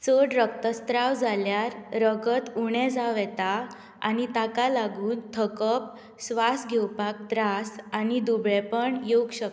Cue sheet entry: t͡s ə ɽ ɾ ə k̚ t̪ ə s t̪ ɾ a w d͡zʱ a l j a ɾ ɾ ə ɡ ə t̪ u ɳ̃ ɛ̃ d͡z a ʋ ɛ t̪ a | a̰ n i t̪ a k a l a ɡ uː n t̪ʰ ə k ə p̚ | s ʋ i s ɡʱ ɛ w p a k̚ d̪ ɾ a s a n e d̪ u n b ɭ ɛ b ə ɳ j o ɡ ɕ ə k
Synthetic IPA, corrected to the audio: t͡s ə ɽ ɾ ə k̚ t̪ ə s t̪ ɾ a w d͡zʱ a l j a ɾ ɾ ə ɡ ə t̪ u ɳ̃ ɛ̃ d͡z a ʋ ɛ t̪ a | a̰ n i t̪ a k a l a ɡ uː n t̪ʰ ə k ə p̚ | s ʋ a s ɡʱ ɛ w p a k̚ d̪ ɾ a s a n i d̪ u b ɭ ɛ p ə ɳ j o ɡ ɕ ə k